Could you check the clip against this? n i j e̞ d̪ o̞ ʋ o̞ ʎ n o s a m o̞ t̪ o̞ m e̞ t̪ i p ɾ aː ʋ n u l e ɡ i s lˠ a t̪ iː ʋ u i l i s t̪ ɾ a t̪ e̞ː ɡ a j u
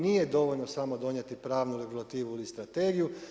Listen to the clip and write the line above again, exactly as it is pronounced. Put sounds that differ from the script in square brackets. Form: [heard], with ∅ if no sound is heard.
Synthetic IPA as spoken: n i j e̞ d̪ o̞ ʋ o̞ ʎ n o s a m o̞ [d̪] o̞ [ɲ] e̞ t̪ i p ɾ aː ʋ n u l e ɡ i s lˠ a t̪ iː ʋ u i l i s t̪ ɾ a t̪ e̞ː ɡ [i] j u